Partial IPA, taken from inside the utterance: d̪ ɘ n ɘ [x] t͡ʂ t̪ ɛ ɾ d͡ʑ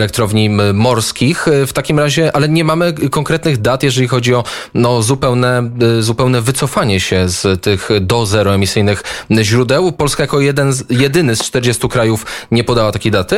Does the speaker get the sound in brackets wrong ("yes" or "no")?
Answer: yes